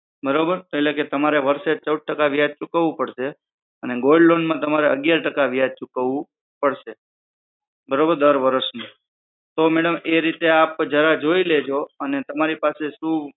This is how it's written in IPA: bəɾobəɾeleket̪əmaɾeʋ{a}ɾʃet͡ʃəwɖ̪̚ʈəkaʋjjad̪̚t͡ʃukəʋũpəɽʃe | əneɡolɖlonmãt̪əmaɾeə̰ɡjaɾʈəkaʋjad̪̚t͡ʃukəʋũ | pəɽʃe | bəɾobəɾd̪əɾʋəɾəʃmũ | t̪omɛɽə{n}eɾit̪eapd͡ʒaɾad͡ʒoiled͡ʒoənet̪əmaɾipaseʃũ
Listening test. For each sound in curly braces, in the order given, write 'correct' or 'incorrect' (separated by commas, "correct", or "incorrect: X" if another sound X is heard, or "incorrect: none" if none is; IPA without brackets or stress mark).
incorrect: ə, incorrect: m